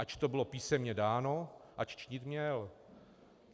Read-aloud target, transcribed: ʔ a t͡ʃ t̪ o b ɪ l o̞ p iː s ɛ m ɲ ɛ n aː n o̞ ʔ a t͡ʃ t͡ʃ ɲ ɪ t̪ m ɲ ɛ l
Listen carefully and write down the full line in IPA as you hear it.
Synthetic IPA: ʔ a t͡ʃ t̪ o b ɪ l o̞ p iː s ɛ m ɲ ɛ d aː n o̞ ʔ a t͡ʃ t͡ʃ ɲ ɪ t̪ m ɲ ɛ l